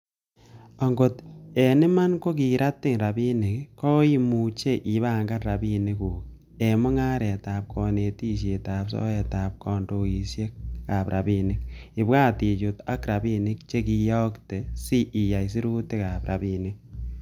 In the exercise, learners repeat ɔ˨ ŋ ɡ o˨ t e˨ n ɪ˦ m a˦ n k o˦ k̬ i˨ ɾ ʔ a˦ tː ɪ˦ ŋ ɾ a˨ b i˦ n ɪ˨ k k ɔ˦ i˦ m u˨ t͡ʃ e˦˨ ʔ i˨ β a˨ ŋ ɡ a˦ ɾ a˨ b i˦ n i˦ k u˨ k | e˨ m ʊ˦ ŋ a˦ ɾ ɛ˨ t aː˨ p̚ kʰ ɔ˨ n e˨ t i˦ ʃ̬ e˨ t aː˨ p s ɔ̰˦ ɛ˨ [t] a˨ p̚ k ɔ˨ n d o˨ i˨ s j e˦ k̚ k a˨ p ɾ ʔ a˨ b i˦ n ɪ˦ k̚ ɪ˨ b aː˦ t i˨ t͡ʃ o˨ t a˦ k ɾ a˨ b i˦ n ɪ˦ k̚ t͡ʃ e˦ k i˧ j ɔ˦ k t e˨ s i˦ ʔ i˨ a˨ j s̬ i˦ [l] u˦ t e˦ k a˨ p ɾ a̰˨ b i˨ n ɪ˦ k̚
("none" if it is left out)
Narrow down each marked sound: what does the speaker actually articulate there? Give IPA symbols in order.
t, ɾ

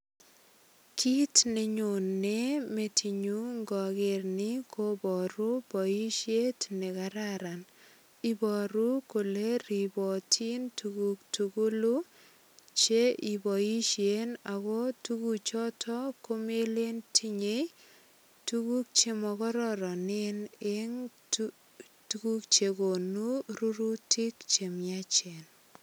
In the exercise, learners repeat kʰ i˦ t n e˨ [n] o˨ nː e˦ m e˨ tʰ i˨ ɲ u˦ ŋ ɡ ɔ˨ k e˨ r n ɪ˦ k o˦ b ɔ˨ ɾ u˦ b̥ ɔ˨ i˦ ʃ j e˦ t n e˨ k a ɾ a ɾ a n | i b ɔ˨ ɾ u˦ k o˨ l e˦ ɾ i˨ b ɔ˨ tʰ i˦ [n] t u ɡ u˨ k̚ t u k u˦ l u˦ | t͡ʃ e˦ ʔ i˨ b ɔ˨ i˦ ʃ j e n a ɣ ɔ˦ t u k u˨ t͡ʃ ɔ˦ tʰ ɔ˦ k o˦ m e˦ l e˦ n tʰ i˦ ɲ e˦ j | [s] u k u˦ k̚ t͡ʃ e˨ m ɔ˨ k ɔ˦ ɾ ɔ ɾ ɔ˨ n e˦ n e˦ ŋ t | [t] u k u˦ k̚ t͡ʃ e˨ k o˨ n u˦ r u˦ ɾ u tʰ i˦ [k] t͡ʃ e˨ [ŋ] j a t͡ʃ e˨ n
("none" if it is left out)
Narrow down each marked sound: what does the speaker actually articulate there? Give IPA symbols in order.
ɲ, n, t, t, k, m

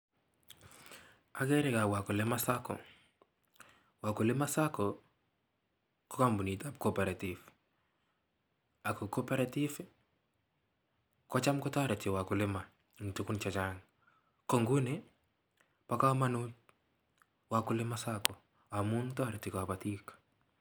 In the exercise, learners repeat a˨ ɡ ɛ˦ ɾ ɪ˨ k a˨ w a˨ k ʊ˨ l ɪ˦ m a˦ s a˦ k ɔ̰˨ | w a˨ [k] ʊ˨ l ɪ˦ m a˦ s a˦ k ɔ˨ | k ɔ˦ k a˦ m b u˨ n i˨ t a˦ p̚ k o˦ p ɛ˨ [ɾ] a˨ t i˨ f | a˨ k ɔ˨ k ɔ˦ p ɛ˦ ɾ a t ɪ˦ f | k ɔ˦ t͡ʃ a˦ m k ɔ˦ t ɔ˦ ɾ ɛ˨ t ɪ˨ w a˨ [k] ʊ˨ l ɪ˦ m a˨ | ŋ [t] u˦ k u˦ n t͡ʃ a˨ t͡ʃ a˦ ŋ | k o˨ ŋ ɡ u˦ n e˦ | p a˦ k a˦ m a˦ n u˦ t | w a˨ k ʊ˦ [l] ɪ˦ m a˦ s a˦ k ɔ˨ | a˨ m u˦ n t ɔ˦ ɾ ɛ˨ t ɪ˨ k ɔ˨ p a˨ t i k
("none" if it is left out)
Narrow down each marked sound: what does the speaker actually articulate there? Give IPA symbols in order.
k, ɾ, k, t, l

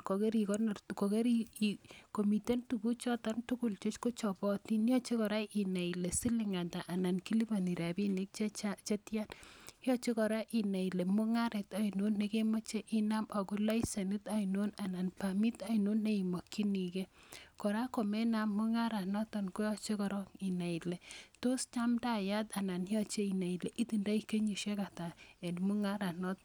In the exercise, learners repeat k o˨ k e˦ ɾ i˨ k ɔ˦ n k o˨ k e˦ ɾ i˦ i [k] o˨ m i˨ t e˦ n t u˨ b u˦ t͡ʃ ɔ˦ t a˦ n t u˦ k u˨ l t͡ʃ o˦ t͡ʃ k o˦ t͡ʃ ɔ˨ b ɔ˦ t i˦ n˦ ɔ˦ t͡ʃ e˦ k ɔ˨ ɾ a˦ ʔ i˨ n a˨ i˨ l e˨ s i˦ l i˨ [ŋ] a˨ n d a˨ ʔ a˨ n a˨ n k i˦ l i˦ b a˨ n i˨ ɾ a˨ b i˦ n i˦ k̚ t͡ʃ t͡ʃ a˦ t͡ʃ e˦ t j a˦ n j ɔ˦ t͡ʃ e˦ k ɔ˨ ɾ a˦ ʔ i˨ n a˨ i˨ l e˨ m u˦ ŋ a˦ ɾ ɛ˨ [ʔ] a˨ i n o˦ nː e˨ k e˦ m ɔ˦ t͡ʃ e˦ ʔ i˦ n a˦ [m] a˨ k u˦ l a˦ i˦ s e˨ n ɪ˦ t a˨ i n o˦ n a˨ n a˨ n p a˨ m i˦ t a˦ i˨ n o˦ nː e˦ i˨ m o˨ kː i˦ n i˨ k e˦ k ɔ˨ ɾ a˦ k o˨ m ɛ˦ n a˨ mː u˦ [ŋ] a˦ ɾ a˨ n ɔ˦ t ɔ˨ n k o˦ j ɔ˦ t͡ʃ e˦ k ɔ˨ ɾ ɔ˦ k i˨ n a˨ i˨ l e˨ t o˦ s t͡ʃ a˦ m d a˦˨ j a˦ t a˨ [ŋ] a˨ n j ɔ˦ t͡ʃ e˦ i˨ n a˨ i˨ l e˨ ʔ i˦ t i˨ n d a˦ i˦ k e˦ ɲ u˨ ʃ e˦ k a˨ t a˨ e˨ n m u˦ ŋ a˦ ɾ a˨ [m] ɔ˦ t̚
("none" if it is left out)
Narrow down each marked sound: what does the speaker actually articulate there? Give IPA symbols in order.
k, ŋ, t, m, ŋ, n, n

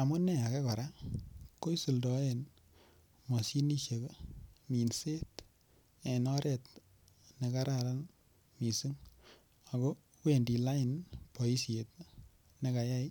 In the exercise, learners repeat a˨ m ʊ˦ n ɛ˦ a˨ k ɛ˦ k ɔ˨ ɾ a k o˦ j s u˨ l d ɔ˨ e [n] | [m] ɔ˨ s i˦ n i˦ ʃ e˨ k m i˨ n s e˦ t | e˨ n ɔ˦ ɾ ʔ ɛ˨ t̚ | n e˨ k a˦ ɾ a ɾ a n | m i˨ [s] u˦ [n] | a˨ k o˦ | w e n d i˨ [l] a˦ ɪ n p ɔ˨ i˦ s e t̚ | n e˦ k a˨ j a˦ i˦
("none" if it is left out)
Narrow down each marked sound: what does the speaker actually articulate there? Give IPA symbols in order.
n, m, s, ŋ, l

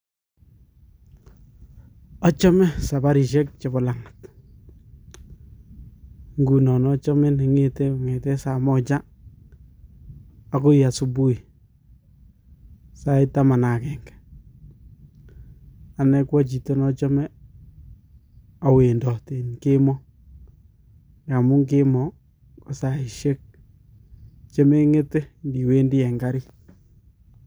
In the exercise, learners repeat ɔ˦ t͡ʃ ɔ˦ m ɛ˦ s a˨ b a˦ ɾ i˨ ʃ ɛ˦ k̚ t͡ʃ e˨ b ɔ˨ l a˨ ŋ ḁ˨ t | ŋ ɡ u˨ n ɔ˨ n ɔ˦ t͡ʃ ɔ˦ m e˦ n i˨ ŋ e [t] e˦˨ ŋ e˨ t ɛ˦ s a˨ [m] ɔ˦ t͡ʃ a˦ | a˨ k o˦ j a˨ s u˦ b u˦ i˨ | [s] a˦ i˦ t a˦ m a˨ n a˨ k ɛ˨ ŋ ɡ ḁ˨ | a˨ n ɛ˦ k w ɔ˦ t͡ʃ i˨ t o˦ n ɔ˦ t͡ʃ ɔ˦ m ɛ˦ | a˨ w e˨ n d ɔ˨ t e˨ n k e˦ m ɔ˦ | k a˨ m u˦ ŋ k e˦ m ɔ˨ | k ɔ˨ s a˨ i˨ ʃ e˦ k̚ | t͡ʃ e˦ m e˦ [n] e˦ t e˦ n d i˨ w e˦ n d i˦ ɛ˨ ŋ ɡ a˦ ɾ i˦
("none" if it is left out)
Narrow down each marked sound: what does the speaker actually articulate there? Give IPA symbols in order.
t, m, s, ŋ

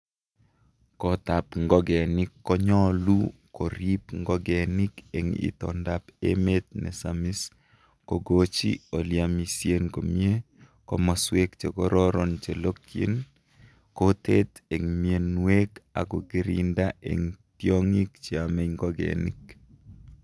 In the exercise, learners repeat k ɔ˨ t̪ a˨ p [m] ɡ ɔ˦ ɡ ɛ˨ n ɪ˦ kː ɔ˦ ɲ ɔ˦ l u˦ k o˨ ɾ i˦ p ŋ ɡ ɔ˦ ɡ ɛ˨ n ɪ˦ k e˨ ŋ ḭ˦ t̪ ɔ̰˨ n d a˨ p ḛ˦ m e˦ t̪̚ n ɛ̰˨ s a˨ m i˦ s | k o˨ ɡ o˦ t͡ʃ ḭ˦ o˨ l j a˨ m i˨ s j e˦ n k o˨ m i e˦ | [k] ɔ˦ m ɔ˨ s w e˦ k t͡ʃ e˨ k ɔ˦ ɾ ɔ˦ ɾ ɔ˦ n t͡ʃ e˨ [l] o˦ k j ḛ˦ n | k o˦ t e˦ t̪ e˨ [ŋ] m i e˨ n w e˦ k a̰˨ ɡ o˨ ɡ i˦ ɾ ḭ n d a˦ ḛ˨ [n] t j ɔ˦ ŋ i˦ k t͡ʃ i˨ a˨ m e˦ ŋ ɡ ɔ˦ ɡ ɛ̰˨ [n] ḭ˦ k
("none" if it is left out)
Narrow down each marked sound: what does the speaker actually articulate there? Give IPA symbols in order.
ŋ, k, l, ŋ, ŋ, n

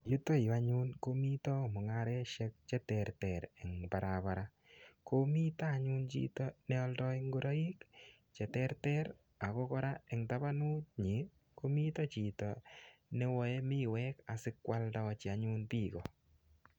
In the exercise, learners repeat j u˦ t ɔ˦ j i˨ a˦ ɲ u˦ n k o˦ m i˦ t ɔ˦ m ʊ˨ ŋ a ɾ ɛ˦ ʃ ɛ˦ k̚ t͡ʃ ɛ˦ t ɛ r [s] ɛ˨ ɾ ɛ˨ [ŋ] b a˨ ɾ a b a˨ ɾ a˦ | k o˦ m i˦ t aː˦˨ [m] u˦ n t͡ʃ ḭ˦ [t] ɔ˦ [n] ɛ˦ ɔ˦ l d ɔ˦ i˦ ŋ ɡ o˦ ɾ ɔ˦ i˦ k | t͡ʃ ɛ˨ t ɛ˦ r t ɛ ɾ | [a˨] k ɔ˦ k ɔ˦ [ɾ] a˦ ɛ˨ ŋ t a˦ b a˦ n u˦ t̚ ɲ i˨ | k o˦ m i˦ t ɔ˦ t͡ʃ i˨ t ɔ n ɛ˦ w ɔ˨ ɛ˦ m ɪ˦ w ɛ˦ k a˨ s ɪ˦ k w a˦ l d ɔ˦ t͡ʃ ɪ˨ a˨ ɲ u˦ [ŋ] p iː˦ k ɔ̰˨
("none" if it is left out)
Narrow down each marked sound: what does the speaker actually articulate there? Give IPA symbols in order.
t, ŋ, ɲ, t, n, a˨, ɾ, n

